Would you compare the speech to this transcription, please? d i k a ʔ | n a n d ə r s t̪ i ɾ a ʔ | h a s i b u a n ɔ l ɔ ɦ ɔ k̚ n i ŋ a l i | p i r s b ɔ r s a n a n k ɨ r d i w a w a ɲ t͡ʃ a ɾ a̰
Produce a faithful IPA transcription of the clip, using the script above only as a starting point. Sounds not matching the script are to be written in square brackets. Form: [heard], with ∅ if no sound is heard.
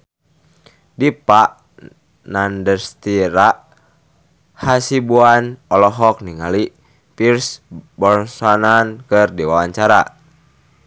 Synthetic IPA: d i [p] a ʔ | n a n d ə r s t̪ i ɾ a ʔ | h a s i b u a n ɔ l ɔ ɦ ɔ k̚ n i ŋ a l i | p i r s b ɔ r s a n a n k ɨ r d i w a w a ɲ t͡ʃ a ɾ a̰